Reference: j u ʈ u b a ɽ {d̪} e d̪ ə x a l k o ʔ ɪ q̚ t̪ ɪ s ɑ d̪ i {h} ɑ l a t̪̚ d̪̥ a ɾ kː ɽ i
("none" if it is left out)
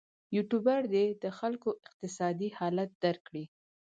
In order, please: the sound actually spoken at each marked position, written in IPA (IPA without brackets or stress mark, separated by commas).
d̪, h